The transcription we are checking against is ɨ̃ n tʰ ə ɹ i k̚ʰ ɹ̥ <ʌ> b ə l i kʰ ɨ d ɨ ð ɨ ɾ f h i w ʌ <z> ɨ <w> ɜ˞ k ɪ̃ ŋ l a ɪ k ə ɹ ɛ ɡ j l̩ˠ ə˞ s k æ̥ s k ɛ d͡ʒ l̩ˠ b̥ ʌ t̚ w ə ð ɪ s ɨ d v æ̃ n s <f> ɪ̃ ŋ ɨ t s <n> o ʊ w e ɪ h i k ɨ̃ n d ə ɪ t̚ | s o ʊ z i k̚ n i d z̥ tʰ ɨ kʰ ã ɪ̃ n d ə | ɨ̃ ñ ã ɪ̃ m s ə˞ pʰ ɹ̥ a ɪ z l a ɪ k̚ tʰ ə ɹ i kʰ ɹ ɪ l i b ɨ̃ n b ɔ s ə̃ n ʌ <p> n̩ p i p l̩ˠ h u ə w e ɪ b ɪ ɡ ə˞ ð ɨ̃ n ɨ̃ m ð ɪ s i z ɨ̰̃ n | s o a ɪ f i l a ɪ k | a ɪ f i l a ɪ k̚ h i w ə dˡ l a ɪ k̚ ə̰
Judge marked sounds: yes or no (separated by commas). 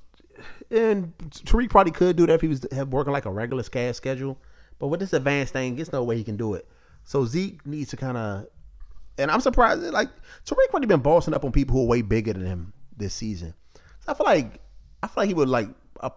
no, yes, yes, no, yes, yes